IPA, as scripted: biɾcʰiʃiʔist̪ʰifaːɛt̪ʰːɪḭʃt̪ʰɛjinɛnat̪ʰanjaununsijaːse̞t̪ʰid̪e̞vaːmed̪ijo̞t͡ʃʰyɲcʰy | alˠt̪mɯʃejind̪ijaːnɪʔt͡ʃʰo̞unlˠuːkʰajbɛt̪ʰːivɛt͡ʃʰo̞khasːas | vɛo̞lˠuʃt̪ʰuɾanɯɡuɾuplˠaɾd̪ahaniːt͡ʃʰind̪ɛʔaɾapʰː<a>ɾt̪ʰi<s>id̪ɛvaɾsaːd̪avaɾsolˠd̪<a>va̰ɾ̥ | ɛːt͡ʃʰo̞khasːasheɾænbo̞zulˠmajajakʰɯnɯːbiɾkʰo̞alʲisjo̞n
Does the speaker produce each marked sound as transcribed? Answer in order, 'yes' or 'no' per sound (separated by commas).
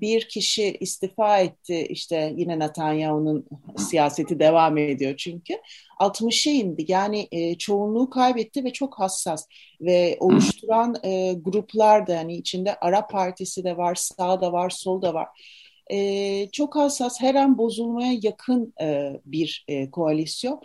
yes, yes, yes